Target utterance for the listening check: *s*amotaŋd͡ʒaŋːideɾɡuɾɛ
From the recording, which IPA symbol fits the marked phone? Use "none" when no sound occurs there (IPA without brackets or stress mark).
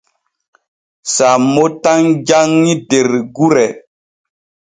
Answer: s